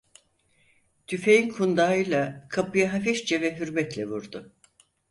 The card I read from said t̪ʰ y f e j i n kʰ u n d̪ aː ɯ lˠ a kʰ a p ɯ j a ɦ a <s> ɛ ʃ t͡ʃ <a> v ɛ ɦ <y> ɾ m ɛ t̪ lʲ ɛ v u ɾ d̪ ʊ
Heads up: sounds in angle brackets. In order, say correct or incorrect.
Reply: incorrect, incorrect, correct

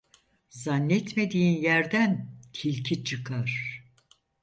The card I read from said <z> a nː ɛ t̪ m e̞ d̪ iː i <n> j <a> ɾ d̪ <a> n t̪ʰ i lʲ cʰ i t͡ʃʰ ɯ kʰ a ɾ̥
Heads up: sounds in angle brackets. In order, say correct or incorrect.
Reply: correct, correct, incorrect, incorrect

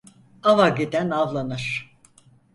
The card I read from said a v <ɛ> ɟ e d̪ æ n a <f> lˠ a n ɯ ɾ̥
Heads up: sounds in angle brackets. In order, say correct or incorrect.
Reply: incorrect, incorrect

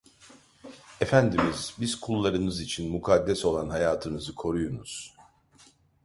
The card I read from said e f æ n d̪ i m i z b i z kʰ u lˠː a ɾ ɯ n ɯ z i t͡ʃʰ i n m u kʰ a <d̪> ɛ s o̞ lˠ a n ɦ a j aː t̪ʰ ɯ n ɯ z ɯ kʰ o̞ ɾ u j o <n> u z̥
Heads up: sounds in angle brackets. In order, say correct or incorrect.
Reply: incorrect, correct

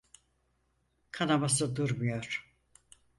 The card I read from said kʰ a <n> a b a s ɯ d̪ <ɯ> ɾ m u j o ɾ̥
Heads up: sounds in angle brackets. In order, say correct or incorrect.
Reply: correct, incorrect

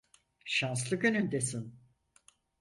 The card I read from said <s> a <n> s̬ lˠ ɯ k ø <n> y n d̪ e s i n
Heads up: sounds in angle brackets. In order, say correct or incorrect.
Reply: incorrect, correct, correct

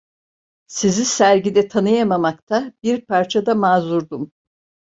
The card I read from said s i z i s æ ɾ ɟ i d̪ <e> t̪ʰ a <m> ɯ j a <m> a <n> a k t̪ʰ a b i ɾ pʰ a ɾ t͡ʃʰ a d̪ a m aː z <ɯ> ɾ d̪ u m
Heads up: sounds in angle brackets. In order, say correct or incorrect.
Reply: incorrect, incorrect, correct, incorrect, incorrect

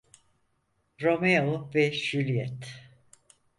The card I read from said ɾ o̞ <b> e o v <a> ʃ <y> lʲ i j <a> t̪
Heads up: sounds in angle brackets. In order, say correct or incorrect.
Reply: incorrect, incorrect, correct, incorrect

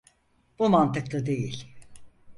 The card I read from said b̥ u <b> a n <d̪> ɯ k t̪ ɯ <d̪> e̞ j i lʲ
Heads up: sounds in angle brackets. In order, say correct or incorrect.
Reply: incorrect, incorrect, correct

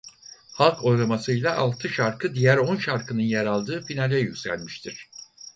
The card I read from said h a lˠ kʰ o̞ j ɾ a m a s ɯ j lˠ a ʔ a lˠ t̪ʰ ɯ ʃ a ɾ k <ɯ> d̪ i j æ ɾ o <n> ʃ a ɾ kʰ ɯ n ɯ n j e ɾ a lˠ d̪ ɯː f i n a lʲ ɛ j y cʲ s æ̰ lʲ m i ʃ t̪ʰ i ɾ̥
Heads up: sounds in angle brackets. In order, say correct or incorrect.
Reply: correct, correct

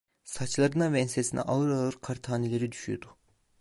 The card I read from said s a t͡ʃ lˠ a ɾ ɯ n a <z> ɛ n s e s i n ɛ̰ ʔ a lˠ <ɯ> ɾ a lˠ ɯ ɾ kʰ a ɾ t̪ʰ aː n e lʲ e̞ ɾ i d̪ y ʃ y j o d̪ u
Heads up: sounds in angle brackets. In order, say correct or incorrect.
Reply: incorrect, correct

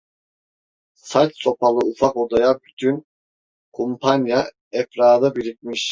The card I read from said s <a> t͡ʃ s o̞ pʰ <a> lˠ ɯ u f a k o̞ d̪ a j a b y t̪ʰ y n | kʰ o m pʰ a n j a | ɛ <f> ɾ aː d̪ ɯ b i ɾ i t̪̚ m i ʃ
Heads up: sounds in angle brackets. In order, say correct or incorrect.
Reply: correct, correct, correct

